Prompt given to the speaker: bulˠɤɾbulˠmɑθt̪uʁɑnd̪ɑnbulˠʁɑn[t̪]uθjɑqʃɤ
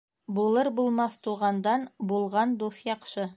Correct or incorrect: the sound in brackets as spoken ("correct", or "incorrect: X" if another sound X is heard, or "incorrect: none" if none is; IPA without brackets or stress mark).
incorrect: d̪